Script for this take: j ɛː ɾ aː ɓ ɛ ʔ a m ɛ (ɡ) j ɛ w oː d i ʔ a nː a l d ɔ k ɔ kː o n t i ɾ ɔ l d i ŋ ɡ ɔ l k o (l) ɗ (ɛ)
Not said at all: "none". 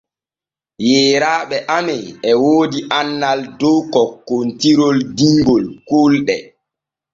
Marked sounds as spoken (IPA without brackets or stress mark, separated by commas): none, l, ɛ